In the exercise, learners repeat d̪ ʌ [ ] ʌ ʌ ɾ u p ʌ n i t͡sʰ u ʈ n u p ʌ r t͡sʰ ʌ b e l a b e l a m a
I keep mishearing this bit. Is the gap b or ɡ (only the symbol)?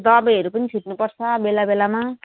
b